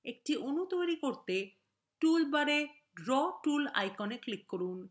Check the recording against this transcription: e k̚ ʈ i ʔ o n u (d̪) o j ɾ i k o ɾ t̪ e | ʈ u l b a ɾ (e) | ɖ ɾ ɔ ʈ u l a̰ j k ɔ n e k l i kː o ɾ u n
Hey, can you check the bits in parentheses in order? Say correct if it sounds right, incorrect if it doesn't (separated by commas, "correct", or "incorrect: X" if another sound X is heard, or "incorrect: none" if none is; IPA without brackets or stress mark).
incorrect: t̪, correct